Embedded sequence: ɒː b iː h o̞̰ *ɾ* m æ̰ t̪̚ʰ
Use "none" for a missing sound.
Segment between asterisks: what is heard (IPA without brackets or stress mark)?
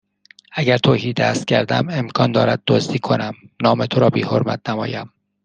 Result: ɾ